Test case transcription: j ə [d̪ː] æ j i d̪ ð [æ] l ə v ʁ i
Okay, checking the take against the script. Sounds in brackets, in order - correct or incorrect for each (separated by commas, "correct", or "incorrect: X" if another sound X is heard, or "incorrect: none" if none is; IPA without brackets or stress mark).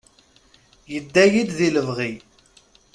correct, incorrect: i